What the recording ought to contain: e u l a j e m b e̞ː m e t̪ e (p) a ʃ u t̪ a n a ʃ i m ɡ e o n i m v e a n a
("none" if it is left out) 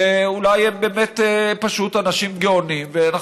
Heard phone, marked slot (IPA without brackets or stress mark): p